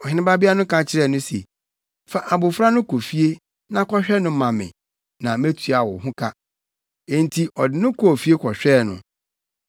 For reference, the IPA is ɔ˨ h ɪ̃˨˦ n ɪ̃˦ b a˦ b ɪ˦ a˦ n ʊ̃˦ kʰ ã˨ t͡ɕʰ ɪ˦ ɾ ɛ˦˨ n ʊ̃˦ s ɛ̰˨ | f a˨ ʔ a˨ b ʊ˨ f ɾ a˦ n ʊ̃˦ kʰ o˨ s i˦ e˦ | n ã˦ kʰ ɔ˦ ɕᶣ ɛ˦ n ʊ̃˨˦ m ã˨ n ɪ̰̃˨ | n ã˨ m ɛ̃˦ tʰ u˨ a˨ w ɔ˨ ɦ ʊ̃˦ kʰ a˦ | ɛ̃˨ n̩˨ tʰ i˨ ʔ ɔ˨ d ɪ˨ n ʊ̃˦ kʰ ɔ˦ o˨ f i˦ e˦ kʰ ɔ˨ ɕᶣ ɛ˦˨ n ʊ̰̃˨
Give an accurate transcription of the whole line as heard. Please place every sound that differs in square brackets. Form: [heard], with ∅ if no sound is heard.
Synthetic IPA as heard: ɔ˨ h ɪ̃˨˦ n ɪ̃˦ b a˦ b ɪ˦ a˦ n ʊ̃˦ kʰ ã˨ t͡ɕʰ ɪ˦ ɾ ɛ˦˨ n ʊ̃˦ s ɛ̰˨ | f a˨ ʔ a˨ b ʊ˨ f ɾ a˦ n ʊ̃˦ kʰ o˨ [f] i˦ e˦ | n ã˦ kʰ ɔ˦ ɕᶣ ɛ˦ n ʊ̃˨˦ m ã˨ [m] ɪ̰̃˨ | n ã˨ m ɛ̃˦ tʰ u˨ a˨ w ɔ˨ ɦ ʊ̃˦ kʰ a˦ | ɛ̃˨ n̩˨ tʰ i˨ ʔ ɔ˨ d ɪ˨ n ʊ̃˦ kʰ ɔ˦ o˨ f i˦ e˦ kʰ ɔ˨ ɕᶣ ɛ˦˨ n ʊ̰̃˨